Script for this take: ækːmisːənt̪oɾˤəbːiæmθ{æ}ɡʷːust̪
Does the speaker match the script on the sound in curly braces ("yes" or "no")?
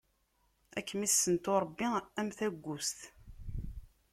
yes